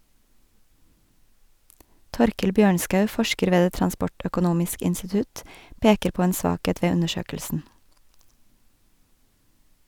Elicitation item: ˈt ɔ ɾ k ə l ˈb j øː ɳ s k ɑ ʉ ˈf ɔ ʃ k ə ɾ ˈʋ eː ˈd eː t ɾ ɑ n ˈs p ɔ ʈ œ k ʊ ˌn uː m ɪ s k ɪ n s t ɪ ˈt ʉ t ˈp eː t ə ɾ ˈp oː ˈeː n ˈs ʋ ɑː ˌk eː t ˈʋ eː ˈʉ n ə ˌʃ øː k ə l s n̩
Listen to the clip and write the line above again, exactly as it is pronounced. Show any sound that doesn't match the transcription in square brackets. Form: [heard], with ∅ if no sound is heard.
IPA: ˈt ɔ ɾ k ə l ˈb j øː ɳ s k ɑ ʉ ˈf ɔ ʃ k ə ɾ ˈʋ eː ˈd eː t ɾ ɑ n ˈs p ɔ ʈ œ k ʊ ˌn uː m ɪ s k ɪ n s t ɪ ˈt ʉ t ˈp eː [k] ə ɾ ˈp oː ˈeː n ˈs ʋ ɑː ˌk eː t ˈʋ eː ˈʉ n ə ˌʃ øː k ə l s n̩

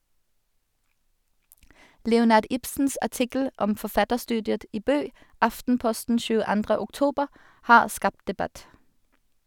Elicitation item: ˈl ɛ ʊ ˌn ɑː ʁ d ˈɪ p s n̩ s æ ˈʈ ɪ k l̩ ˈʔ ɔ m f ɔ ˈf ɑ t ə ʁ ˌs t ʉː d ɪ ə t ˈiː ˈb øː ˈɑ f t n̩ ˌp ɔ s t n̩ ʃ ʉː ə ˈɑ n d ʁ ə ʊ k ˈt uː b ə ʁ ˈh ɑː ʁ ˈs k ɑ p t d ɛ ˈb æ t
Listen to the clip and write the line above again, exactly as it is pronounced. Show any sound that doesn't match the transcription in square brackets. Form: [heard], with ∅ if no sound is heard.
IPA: ˈl ɛ ʊ ˌn ɑː ʁ d ˈɪ p s n̩ s æ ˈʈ ɪ k l̩ ˈʔ ɔ m f ɔ ˈf ɑ t ə ʁ ˌs t ʉː d ɪ ə t ˈiː ˈb øː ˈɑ f t n̩ ˌp ɔ s t n̩ ʃ ʉː ə ˈɑ n d ʁ ə ʊ k ˈt uː b ə ʁ ˈh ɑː ʁ ˈs k ɑ p t d ɛ ˈb æ t

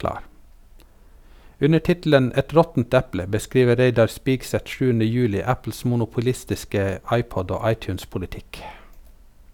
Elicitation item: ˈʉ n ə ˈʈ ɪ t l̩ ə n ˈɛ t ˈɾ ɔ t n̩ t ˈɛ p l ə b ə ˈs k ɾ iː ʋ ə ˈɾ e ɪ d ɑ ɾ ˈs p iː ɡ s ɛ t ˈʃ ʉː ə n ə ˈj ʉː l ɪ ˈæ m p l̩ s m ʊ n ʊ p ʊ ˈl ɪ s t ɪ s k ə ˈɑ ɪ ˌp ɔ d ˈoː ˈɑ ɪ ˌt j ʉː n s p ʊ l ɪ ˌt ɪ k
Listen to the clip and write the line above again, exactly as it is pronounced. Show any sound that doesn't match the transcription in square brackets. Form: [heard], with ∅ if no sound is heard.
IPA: ˈʉ n ə ˈʈ ɪ t l̩ ə n ˈɛ t ˈɾ ɔ t n̩ t ˈɛ p l ə b ə ˈs k ɾ iː ʋ ə ˈɾ e ɪ d ɑ ɾ ˈs p iː ɡ s ɛ t ˈʃ ʉː ə n ə ˈj ʉː l ɪ ˈæ [∅] p l̩ s m ʊ n ʊ p ʊ ˈl ɪ s t ɪ s k ə ˈɑ ɪ ˌp ɔ d ˈoː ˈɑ ɪ ˌt j ʉː n s p ʊ l ɪ ˌt ɪ k

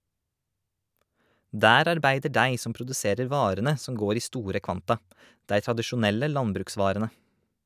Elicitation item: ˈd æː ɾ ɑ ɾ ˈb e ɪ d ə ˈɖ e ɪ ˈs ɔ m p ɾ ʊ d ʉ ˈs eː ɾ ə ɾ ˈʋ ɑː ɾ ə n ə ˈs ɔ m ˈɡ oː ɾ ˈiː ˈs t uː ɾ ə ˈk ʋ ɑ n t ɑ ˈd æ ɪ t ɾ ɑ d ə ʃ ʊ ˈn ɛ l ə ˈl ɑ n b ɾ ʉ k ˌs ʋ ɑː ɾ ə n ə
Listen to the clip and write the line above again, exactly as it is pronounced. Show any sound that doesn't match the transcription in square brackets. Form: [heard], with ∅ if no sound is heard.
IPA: ˈd æː ɾ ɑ ɾ ˈb [æ] ɪ d ə ˈɖ [æ] ɪ ˈs ɔ m p ɾ ʊ d ʉ ˈs eː ɾ ə ɾ ˈʋ ɑː ɾ ə n ə ˈs ɔ m ˈɡ oː ɾ ˈiː ˈs t uː ɾ ə ˈk ʋ ɑ n t ɑ ˈd æ ɪ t ɾ ɑ d ə ʃ ʊ ˈn ɛ l ə ˈl ɑ n b ɾ [ʉː] k ˌs ʋ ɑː ɾ ə n ə

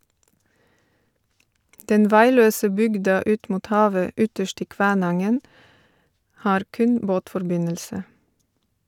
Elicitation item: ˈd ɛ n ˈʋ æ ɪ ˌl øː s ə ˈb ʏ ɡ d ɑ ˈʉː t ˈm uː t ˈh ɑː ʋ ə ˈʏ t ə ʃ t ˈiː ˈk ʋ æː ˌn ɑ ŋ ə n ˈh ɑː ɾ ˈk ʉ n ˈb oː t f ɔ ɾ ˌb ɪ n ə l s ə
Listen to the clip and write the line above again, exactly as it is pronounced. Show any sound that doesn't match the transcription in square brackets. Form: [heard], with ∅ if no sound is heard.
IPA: ˈd ɛ n ˈʋ æ ɪ ˌl øː s ə ˈb ʏ ɡ d ɑ ˈʉː t ˈm uː t ˈh ɑː ʋ ə ˈʏ t ə ʃ t ˈiː ˈk ʋ æː ˌn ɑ ŋ ə n ˈh ɑː ɾ ˈk ʉ n ˈb oː t f ɔ ɾ ˌb ɪ n ə l s ə

